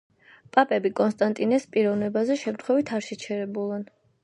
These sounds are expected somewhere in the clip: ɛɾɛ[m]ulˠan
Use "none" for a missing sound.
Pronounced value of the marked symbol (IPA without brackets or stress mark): b